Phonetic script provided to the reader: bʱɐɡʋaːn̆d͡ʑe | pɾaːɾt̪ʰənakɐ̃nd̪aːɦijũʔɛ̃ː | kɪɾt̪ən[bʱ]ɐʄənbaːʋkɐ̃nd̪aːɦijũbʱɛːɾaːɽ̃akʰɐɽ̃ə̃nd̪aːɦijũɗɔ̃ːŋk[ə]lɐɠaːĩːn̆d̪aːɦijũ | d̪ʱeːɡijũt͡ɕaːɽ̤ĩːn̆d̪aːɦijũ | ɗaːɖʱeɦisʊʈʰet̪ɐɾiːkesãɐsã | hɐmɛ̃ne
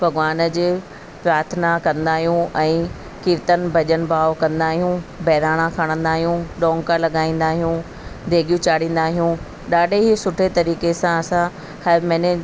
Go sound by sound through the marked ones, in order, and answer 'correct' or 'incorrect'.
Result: correct, incorrect: a

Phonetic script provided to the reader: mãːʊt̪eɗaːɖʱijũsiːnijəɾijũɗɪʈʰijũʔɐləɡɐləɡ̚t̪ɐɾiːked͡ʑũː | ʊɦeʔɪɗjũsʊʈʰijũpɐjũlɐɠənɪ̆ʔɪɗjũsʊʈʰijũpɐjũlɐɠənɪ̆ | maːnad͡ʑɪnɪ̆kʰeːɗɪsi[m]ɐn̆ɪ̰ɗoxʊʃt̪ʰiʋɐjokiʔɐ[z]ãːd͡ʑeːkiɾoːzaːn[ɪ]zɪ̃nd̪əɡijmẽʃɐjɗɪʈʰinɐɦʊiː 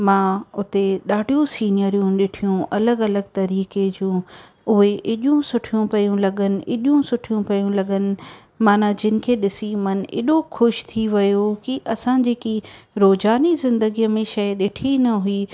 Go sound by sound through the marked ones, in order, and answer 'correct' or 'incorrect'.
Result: correct, incorrect: s, incorrect: i

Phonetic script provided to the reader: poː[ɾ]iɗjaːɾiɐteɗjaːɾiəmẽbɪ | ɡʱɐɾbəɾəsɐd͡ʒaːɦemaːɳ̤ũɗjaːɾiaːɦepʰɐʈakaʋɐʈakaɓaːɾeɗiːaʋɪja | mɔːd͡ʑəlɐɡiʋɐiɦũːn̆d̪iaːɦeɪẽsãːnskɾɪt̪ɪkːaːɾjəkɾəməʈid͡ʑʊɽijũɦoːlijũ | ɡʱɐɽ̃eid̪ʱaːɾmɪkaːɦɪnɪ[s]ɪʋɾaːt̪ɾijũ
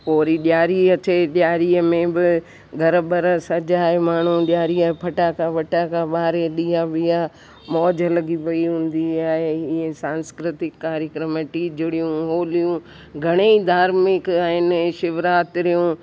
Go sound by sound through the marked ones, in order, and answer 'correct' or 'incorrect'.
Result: correct, incorrect: ʃ

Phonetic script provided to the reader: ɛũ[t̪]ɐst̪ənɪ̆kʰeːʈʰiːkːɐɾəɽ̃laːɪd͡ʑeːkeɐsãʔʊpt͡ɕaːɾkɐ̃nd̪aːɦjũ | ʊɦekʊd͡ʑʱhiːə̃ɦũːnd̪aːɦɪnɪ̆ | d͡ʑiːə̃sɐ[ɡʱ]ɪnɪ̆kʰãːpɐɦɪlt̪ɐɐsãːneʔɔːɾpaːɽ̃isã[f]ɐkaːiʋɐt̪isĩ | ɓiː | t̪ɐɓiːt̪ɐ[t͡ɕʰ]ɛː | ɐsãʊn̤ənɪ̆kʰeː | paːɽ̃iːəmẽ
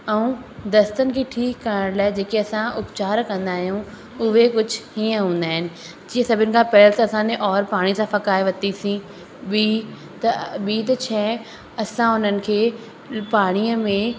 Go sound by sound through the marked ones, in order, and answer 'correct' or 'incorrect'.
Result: incorrect: d̪, incorrect: bʱ, correct, correct

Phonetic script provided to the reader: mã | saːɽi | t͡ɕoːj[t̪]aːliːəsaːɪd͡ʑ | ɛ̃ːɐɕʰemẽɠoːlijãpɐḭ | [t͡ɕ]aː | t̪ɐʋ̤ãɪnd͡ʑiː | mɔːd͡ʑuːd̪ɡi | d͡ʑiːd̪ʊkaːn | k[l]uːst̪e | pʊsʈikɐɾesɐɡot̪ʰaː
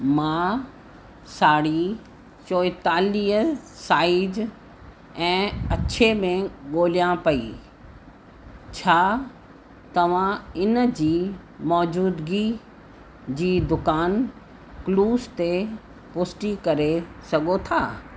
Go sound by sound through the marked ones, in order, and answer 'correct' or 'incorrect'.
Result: correct, incorrect: t͡ɕʰ, correct

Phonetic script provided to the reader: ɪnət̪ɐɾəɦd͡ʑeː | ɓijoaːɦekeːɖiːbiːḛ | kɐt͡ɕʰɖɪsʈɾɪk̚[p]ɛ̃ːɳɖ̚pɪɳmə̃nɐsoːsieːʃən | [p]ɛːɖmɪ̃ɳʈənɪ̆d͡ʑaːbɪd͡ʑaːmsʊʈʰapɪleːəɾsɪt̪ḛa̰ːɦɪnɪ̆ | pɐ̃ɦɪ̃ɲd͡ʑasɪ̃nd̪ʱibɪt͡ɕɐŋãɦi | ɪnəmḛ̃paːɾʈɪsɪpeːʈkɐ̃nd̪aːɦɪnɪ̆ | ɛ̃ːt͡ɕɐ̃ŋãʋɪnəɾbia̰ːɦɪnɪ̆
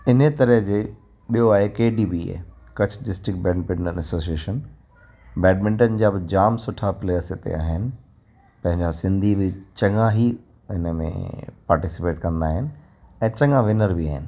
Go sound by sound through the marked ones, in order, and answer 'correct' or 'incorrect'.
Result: incorrect: b, incorrect: b

